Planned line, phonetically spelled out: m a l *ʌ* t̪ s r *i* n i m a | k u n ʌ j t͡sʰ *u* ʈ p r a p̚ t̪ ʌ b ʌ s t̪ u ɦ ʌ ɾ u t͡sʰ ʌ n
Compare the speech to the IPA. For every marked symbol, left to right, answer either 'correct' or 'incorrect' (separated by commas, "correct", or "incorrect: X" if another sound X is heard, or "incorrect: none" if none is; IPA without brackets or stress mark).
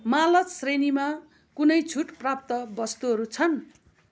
correct, incorrect: e, correct